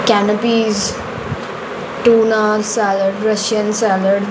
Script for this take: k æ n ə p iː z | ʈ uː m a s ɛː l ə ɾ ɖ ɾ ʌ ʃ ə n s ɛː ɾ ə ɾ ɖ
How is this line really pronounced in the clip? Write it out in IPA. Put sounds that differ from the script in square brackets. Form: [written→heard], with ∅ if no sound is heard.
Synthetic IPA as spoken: k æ n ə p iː z | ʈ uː [m→n] a s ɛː l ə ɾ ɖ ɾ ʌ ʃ ə n s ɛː [ɾ→l] ə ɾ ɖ